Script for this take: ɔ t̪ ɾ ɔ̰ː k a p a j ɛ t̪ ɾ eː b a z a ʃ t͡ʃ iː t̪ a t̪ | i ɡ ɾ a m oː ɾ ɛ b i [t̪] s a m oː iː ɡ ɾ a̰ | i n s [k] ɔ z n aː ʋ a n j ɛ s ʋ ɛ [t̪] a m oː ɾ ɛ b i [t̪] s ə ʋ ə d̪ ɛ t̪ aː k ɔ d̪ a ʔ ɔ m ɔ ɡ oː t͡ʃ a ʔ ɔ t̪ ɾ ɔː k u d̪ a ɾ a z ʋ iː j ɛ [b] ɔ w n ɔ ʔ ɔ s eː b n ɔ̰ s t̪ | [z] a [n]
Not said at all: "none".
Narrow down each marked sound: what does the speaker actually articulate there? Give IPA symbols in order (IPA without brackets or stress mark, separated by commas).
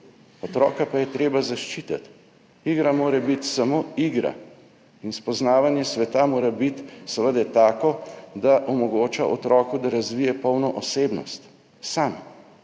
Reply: t̪, p, t̪, t̪, p, s, m